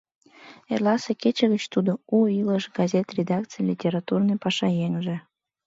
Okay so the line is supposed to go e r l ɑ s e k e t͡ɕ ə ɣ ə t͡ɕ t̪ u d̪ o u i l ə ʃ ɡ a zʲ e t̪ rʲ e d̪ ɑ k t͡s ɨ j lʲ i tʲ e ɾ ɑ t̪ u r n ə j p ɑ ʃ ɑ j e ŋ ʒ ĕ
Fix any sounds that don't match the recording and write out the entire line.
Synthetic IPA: e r l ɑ s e k e t͡ɕ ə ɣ ə t͡ɕ t̪ u d̪ o u i l ə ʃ ɡ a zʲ e t̪ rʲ e d̪ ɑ k t͡s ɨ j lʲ i tʲ e ɾ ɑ t̪ u r n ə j p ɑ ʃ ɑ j e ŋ ʒ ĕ